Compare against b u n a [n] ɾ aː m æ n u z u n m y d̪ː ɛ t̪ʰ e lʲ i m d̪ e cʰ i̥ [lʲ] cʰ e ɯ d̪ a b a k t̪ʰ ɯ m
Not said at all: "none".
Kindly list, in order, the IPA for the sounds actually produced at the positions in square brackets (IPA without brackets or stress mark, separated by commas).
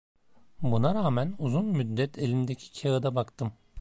none, none